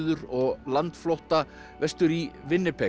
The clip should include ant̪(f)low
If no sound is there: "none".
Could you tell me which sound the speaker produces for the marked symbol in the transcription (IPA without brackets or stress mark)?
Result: f